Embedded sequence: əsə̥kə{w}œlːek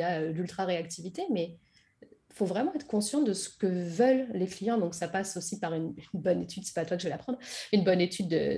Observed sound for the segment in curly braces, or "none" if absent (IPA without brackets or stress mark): v